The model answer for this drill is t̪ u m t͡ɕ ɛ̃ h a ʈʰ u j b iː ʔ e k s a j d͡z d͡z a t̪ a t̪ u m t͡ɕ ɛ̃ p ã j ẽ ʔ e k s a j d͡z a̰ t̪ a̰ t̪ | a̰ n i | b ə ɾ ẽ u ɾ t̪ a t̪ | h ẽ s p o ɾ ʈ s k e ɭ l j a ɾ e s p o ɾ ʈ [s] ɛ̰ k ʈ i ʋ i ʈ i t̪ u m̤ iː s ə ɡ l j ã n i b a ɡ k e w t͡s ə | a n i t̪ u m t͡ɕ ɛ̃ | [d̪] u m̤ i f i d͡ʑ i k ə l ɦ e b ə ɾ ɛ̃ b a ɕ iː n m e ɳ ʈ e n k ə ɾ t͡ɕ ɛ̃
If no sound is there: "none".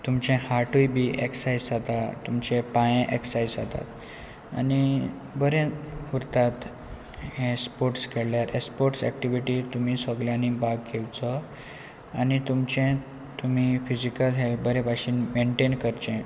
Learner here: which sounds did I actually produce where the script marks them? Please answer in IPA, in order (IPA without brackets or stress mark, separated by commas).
s, t̪